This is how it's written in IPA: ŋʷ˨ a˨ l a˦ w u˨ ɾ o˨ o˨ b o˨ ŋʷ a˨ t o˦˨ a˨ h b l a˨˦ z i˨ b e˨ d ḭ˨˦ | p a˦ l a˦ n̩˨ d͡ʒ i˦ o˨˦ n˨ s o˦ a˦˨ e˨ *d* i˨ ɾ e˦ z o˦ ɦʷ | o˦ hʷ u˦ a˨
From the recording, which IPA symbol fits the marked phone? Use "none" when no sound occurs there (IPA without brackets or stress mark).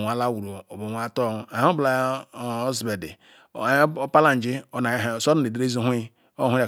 d